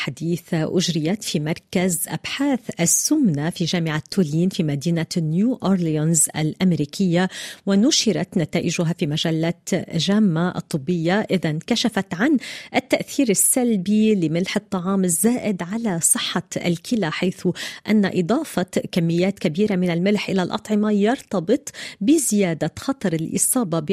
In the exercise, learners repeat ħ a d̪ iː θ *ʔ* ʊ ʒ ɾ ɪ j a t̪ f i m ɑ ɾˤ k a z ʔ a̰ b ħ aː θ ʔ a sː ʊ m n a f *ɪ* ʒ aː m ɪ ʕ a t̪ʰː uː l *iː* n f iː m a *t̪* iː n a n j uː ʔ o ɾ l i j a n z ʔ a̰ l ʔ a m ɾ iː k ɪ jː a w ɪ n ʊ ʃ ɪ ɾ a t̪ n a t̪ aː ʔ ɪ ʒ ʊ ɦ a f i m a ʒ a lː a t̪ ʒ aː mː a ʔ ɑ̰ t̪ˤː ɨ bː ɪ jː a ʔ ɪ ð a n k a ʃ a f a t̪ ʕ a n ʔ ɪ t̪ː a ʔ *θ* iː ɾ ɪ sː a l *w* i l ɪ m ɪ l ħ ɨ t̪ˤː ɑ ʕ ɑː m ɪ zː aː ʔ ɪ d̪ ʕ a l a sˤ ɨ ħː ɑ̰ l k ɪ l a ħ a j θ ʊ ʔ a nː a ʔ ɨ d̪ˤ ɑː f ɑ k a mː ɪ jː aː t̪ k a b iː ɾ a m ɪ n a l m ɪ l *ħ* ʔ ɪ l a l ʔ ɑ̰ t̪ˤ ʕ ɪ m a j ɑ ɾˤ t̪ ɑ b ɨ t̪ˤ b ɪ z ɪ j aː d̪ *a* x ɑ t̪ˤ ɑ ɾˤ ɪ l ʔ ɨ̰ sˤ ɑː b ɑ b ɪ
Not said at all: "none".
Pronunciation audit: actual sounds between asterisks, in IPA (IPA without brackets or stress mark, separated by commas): ʔ, i, iː, d̪, θ, b, ħ, a